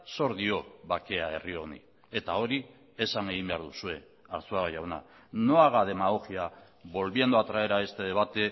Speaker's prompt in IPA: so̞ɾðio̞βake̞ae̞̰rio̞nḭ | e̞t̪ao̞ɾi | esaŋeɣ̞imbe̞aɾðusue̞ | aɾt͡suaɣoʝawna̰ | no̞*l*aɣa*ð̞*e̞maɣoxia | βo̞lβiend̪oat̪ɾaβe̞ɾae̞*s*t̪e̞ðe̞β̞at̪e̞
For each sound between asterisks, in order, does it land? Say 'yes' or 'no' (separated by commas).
no, yes, yes